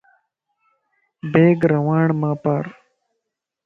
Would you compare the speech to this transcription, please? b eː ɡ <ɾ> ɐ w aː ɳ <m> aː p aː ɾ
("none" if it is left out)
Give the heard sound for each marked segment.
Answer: ɾ, m

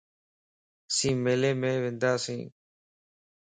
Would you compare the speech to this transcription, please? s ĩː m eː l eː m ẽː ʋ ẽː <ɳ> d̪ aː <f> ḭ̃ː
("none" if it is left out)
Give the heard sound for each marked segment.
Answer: n, s

